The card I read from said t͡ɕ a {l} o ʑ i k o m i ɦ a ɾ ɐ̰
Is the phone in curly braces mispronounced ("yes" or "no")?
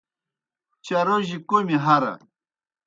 yes